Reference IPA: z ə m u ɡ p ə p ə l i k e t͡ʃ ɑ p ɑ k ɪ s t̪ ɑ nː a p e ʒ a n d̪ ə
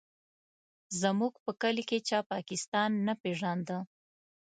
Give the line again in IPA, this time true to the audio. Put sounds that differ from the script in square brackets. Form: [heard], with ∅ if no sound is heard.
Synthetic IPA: z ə m u ɡ p ə [k] ə l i k e t͡ʃ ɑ p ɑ k ɪ s t̪ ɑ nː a p e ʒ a n d̪ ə